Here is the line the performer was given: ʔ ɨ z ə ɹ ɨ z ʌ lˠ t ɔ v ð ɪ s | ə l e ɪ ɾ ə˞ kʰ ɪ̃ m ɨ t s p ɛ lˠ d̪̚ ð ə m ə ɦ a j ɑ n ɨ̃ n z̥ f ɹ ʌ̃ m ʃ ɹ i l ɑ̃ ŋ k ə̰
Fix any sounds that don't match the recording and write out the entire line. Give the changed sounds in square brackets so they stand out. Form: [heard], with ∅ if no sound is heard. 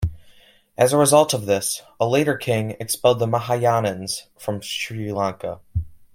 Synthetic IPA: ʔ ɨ z ə ɹ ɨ z ʌ lˠ t [ʌ] v ð ɪ s | ə l e ɪ ɾ ə˞ kʰ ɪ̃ [ŋ] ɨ [k] s p ɛ lˠ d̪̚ ð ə m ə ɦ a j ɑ n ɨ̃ n z̥ f ɹ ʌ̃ m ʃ ɹ i l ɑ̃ ŋ k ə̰